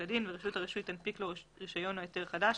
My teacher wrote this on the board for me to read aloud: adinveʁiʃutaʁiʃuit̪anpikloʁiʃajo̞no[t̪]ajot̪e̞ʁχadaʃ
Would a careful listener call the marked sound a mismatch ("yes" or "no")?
yes